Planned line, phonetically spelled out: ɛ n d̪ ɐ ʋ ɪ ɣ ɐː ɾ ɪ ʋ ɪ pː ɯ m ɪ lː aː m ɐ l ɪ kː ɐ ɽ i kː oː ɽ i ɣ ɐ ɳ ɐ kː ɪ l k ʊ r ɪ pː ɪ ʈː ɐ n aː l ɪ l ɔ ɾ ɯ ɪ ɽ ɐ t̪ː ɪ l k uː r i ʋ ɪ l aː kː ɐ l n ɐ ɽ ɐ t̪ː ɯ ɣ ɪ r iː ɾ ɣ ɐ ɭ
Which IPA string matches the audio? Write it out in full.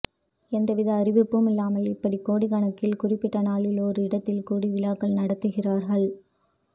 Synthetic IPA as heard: ɛ n d̪ ɐ ʋ ɪ ð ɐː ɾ ɪ ʋ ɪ pː ɯ m ɪ lː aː m ɐ l ɪ pː ɐ ɽ i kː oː ɽ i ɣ ɐ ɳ ɐ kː ɪ l k ʊ r ɪ pː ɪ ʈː ɐ n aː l ɪ l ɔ ɾ ɯ ɪ ɽ ɐ t̪ː ɪ l k uː ɽ i ʋ ɪ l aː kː ɐ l n ɐ ɽ ɐ t̪ː ɯ ɣ ɪ r aː ɾ ɣ ɐ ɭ